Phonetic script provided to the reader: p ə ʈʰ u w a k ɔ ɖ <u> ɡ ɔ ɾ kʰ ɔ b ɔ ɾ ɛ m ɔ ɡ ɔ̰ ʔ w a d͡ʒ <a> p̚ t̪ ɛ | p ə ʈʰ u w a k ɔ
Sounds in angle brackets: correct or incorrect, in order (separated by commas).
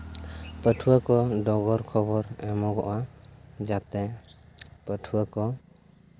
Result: incorrect, correct